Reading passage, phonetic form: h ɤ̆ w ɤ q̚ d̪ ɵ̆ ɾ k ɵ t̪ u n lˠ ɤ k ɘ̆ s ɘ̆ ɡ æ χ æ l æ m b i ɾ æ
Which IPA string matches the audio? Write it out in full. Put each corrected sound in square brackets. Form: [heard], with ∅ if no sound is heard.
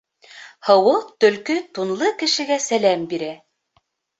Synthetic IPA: h ɤ̆ w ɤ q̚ [t̪] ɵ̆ [l] k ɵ t̪ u n lˠ ɤ k ɘ̆ [ʃ] ɘ̆ ɡ æ [s] æ l æ m b i ɾ æ